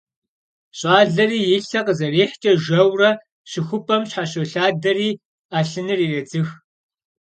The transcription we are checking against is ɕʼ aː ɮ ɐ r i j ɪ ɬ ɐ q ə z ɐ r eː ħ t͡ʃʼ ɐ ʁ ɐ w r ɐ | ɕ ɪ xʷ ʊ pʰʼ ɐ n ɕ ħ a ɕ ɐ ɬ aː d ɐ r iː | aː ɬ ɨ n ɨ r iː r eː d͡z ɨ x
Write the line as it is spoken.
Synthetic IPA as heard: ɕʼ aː ɮ ɐ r iː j ɪ ɬ ɐ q ə z ɐ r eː ħ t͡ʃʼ ɐ ʒ ɐ w r ɐ | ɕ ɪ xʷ ʊ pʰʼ ɐ m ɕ ħ a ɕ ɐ ɬ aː d ɐ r iː | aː ɬ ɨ n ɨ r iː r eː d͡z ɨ x